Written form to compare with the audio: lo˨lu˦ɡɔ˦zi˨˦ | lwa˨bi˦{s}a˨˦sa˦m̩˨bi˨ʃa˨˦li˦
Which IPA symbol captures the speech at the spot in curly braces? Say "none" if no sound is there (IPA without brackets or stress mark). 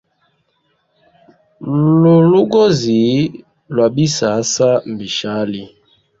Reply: s